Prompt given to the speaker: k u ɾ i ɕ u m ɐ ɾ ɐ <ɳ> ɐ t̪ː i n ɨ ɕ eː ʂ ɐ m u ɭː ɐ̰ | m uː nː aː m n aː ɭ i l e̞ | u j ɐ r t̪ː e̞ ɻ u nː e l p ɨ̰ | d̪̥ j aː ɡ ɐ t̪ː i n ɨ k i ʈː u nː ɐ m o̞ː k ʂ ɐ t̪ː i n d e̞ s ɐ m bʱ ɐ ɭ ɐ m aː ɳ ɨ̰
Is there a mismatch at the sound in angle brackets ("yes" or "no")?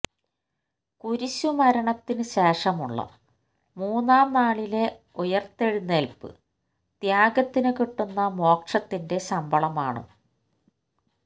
no